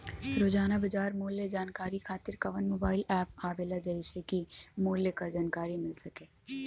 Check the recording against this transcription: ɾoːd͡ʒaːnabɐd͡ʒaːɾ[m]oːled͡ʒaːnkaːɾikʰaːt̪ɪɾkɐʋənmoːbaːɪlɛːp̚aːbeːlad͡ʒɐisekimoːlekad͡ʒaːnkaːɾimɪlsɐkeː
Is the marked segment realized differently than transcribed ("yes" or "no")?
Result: no